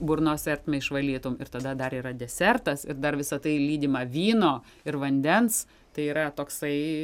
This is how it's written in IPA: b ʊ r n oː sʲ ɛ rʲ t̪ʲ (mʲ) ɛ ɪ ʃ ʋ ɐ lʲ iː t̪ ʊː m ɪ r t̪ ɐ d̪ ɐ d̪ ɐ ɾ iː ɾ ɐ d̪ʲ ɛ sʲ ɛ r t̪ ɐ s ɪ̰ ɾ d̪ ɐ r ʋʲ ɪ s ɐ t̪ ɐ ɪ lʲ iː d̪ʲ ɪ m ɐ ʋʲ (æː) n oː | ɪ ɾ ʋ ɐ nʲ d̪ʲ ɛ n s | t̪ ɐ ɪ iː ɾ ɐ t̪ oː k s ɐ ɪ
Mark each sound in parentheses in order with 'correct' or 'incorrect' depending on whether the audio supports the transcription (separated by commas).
correct, incorrect